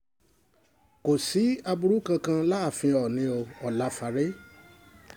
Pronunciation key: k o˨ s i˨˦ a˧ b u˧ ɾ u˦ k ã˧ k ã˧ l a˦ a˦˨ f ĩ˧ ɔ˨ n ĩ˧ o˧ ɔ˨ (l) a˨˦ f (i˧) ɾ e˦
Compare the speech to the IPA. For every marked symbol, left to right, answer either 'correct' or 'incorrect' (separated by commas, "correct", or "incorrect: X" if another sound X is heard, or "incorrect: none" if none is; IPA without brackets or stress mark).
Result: correct, incorrect: a˧